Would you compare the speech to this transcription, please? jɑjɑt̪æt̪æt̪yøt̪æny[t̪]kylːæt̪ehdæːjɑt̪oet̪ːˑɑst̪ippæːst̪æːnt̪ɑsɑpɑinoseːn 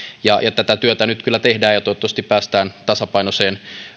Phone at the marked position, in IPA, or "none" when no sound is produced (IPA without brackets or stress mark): t̪